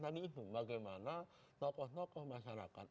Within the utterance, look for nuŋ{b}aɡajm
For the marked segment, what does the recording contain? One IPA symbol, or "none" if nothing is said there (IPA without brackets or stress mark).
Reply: b